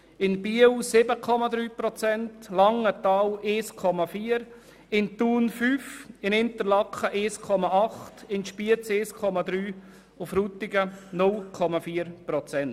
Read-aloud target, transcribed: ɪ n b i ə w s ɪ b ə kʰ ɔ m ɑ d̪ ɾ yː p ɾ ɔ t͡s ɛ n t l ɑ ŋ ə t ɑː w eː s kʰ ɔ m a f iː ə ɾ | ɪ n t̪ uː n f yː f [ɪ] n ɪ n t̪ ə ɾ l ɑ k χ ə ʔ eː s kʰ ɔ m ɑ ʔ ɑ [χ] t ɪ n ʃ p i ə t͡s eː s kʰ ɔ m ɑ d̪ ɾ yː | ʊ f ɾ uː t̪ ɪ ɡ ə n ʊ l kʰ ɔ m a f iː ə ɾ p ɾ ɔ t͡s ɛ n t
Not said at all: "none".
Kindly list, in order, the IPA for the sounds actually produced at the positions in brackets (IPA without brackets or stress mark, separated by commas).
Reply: ɪ, χ